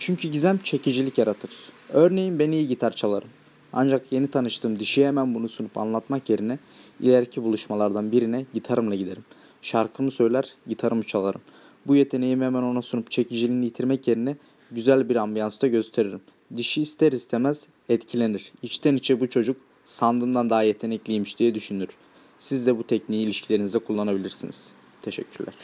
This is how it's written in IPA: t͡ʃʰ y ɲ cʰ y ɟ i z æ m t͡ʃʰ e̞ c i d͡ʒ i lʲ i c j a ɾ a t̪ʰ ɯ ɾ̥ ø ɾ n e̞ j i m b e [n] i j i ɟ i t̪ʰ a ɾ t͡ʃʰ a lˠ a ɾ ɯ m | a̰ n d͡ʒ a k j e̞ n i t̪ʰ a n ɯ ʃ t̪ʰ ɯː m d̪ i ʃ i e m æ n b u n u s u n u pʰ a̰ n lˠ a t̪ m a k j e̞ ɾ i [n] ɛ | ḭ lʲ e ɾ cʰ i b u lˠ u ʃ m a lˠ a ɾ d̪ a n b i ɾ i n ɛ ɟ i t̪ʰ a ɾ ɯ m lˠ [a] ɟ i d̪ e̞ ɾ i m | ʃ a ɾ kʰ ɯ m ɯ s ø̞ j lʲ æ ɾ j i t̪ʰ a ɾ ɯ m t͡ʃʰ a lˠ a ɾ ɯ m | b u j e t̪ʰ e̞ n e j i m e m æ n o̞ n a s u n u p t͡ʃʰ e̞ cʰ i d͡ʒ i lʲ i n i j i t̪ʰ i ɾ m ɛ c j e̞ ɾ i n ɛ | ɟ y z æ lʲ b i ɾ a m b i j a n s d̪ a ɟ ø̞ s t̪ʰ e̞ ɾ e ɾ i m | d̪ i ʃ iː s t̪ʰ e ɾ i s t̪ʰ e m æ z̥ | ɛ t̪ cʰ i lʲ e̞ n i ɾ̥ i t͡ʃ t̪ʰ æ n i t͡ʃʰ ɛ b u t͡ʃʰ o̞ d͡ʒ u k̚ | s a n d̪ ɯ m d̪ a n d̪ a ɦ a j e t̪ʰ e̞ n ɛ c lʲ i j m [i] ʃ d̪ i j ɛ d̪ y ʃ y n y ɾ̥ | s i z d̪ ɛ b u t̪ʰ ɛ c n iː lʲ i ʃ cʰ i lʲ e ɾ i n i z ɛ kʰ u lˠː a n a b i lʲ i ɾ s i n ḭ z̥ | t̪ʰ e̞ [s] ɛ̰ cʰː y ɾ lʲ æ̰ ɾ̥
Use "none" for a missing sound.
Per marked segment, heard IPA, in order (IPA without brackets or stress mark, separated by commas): n, n, a, i, ʃ